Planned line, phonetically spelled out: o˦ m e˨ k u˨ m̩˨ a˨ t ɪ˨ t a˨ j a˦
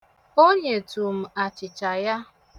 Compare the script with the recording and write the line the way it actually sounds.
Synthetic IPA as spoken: o˦ ɲ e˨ t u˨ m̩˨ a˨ t͡ʃ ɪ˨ t͡ʃ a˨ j a˦